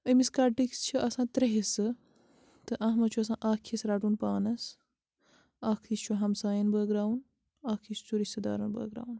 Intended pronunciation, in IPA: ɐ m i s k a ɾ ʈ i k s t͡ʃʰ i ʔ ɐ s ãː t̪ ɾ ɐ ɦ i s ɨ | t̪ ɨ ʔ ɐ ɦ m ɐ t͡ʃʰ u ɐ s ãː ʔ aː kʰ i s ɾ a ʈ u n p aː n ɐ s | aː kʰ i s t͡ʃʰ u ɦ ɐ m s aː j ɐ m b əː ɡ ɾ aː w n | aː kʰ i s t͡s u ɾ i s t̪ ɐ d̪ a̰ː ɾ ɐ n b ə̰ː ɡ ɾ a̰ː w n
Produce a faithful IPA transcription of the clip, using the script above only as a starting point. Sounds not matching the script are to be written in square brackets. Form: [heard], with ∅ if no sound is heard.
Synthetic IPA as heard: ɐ m i s k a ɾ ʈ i k s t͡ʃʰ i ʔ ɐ s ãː t̪ ɾ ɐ ɦ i s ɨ | t̪ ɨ ʔ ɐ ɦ m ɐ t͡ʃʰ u ɐ s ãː ʔ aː kʰ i s ɾ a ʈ u n p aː n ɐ s | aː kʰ i s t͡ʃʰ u ɦ ɐ m s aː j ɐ [n] b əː ɡ ɾ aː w n | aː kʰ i s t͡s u ɾ i s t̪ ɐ d̪ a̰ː ɾ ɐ n b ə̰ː ɡ ɾ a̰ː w n